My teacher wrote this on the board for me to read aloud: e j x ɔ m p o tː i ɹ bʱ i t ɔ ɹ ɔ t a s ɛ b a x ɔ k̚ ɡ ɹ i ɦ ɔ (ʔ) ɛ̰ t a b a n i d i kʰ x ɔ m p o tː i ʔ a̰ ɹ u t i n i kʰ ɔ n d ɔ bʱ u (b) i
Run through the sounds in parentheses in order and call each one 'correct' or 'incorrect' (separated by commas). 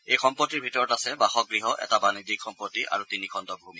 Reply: correct, incorrect